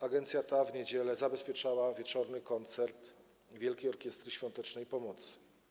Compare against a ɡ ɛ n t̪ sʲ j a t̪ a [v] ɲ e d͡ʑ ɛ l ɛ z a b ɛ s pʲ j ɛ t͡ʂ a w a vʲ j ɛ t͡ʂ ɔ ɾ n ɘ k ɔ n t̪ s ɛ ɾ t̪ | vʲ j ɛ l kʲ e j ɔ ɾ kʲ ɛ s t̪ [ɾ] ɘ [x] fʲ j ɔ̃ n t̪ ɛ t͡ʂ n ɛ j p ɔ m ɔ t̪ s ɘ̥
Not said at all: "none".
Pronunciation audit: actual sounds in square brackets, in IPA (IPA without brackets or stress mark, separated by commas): v, ɾ, ɕ